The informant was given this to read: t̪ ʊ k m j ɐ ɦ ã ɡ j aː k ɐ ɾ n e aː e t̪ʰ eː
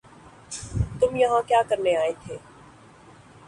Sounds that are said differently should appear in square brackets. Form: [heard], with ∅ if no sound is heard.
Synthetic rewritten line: t̪ ʊ [∅] m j ɐ ɦ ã [k] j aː k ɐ ɾ n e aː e t̪ʰ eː

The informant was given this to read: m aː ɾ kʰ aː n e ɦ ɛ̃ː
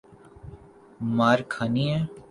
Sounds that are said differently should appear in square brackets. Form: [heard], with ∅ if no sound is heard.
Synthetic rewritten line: m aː ɾ kʰ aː n [i] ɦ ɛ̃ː

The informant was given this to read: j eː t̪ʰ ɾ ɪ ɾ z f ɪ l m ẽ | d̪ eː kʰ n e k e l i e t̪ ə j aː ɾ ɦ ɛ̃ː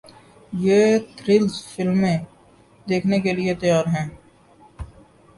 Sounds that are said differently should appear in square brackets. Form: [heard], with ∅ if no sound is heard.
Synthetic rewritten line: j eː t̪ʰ ɾ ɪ [l] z f ɪ l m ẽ | d̪ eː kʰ n e k e l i e t̪ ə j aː ɾ ɦ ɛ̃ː

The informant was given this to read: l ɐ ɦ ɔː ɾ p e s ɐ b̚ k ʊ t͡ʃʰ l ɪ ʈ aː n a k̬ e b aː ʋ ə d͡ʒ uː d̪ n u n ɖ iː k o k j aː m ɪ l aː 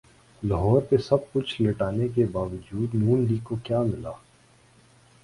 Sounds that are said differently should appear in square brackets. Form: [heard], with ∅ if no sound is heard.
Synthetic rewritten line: l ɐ ɦ ɔː ɾ p e s ɐ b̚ k ʊ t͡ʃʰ l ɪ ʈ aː n [e] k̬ e b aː ʋ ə d͡ʒ uː d̪ n [uː] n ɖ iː k o k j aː m ɪ l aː

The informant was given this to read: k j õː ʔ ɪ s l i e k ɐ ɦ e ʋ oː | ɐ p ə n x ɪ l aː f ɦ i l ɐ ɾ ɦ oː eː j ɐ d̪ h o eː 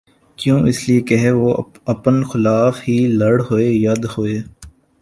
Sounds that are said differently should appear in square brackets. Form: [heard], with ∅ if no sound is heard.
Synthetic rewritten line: k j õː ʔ ɪ s l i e k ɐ ɦ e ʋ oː | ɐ p ə n x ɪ l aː f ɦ i l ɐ [ɽ] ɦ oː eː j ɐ d̪ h o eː

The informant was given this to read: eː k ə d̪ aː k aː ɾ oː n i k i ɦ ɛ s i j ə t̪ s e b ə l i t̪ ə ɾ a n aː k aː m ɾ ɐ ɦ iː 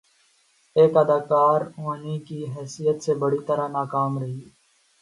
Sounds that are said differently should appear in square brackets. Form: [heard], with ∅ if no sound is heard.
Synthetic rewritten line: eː k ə d̪ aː k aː ɾ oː n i k i ɦ [ɛː] s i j ə t̪ s e b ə [ɽ] i t̪ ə ɾ a n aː k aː m ɾ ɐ ɦ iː

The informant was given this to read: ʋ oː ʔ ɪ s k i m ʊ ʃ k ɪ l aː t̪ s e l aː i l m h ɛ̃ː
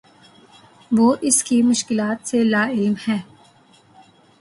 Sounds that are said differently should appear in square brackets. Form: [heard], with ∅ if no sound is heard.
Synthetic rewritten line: ʋ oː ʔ ɪ s k i m ʊ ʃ k ɪ l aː t̪ s e l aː [ɪ] l m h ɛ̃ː

